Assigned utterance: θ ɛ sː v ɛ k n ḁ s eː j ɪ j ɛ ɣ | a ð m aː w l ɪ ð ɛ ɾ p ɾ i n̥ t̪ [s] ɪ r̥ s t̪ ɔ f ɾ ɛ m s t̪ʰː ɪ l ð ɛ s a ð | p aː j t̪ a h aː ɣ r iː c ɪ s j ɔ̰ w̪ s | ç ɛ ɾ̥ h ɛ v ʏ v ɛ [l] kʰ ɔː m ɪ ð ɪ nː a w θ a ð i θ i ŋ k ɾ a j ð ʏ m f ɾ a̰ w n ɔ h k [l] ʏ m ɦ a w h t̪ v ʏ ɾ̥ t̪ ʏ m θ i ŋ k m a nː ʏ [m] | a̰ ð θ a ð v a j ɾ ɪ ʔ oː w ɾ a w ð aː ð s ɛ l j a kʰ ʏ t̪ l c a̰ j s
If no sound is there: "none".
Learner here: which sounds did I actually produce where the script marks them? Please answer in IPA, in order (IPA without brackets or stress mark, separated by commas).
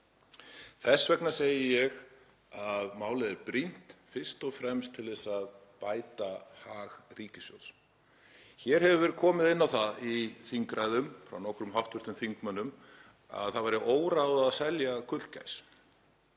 f, ɾ, ɾ, m